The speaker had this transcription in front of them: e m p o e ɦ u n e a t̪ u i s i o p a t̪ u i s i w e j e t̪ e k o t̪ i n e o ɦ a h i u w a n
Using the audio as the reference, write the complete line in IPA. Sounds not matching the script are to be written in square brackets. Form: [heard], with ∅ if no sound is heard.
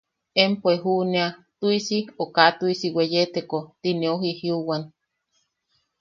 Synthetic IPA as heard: e m p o e ɦ u n e a t̪ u i s i o [k] a t̪ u i s i w e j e t̪ e k o t̪ i n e o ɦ [i] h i u w a n